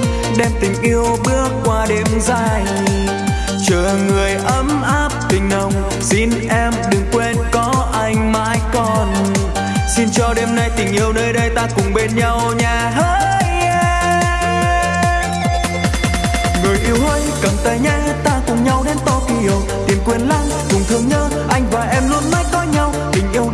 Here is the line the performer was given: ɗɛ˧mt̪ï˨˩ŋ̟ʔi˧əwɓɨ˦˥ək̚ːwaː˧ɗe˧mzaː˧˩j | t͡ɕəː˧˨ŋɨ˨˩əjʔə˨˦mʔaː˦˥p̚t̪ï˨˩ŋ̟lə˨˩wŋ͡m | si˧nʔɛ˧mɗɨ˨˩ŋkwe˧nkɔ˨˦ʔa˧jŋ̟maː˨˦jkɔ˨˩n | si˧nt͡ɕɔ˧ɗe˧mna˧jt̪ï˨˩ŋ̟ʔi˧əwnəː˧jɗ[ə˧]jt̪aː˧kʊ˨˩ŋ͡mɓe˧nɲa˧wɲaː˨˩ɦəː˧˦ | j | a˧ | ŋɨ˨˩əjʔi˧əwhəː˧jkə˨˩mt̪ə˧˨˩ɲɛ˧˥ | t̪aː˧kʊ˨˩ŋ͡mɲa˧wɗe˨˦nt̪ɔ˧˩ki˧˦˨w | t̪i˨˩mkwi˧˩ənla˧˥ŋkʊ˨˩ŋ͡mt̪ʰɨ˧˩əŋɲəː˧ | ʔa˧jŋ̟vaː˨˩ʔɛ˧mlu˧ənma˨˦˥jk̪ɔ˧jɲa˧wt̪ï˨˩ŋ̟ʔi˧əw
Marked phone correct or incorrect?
correct